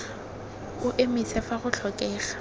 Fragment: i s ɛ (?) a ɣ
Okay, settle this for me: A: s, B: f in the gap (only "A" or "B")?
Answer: B